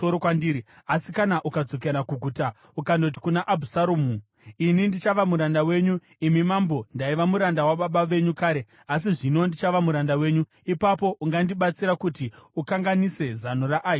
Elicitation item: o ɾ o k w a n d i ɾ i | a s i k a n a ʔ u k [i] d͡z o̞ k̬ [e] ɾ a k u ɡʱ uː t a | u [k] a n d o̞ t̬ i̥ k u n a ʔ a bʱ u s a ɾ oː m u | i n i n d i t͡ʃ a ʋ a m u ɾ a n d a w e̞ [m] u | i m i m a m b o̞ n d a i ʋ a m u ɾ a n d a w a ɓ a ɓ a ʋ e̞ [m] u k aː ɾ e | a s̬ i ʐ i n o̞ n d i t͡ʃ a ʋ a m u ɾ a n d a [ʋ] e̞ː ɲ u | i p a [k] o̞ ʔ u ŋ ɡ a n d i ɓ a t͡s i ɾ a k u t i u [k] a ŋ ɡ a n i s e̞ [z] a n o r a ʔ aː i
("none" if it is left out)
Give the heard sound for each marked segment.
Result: a, e, k, ɲ, ɲ, w, p, k, z

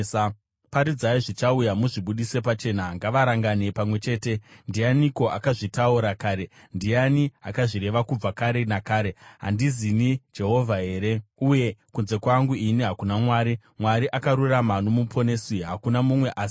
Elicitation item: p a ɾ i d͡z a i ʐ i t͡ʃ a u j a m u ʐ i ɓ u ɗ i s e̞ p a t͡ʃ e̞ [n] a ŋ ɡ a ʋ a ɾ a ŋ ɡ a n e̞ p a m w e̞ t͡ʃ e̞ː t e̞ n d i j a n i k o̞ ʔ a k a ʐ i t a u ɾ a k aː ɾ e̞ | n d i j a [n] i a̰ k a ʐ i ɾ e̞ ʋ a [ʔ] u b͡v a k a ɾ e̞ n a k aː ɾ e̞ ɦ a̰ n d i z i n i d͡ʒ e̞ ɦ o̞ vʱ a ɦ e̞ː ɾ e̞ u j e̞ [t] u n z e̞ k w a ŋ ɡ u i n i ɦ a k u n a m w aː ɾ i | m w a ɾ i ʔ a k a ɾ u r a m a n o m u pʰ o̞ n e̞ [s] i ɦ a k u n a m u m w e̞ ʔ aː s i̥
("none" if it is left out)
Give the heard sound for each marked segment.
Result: n, n, k, k, s

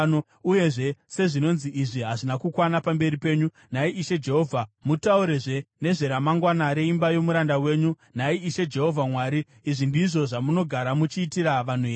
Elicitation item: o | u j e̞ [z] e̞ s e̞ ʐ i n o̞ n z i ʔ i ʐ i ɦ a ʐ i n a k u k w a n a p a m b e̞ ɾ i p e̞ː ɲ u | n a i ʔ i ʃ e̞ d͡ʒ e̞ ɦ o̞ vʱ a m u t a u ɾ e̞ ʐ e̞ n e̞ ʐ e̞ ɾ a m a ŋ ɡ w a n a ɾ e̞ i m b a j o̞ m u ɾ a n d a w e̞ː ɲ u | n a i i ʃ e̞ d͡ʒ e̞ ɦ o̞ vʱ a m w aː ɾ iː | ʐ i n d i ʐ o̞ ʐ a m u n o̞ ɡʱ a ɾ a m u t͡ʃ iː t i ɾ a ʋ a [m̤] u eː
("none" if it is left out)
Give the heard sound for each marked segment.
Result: ʐ, n̤

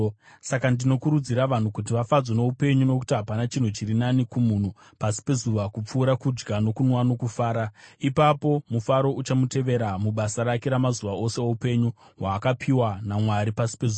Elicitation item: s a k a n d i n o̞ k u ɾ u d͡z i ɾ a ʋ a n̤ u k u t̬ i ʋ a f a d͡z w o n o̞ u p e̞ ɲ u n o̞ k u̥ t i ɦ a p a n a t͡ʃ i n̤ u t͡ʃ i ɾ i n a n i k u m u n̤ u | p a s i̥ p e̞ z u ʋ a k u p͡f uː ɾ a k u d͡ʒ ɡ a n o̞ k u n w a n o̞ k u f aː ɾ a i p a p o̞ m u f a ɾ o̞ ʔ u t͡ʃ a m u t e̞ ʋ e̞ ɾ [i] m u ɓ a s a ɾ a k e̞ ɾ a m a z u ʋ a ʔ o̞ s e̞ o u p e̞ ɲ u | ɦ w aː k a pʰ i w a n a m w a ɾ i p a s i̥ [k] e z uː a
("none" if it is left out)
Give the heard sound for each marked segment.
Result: a, p

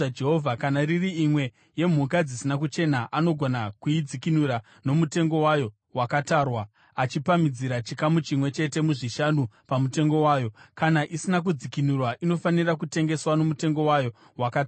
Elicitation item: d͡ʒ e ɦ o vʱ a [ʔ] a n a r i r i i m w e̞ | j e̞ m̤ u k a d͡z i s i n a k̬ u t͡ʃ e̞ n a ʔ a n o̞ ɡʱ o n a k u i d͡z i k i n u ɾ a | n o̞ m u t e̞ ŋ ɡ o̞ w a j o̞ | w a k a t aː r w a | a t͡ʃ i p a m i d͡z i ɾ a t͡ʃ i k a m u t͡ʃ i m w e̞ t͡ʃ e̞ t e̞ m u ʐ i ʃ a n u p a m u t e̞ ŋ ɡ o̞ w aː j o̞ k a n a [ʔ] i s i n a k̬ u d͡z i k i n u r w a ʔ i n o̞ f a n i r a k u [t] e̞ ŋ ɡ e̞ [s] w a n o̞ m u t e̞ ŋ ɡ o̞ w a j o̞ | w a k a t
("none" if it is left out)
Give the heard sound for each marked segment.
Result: k, ʔ, t, s

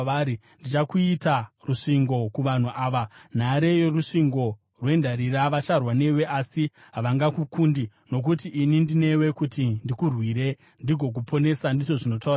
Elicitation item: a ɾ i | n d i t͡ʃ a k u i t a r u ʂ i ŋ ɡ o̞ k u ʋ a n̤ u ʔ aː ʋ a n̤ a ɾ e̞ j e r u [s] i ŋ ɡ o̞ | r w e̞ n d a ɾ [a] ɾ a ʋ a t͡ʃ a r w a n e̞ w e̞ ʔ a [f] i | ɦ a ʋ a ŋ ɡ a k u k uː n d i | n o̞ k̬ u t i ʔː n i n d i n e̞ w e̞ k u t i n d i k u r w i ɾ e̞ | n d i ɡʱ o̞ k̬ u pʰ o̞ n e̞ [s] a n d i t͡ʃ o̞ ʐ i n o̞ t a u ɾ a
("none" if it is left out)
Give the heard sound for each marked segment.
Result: ʂ, i, s, s

